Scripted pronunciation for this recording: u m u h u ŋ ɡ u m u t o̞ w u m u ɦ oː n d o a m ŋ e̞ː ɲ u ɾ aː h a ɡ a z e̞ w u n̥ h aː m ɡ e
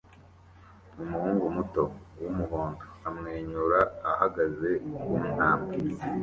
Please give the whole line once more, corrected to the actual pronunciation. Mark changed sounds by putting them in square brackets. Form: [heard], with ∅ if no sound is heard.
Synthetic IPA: u m u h [uː] ŋ ɡ u m u t o̞ w u m u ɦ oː n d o a m ŋ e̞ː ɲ u ɾ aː h a ɡ a z e̞ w u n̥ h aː m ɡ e